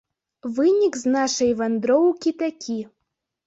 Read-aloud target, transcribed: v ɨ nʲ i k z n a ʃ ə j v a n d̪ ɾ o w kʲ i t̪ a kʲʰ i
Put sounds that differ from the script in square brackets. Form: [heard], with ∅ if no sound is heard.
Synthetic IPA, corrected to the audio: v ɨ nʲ i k z n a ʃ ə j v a n d̪ ɾ o w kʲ i t̪ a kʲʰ i